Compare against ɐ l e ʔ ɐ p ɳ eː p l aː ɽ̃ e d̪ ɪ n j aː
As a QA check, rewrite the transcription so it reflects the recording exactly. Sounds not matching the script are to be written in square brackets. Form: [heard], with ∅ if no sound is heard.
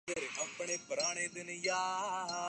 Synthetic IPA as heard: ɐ [ɾ] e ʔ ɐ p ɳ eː p [ɾ] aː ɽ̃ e d̪ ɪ n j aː